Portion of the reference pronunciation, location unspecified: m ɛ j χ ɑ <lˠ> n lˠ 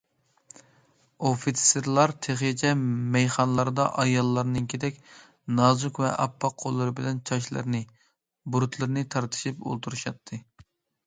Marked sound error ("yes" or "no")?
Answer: yes